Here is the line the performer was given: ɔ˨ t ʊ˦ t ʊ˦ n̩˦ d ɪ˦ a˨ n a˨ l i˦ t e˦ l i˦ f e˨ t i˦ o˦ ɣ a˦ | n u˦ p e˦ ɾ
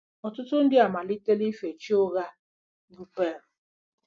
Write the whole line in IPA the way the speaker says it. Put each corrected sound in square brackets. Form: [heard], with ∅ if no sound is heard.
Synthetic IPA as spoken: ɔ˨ t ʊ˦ t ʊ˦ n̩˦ d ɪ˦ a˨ [m] a˨ l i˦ t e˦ l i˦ f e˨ [t͡ʃ] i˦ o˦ ɣ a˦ | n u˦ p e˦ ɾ